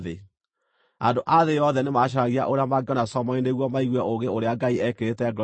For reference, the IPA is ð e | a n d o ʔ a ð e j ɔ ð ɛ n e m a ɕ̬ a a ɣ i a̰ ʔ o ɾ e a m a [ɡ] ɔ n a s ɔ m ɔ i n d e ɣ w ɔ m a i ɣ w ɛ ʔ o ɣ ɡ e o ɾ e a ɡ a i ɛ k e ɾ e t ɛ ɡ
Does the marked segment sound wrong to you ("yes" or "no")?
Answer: no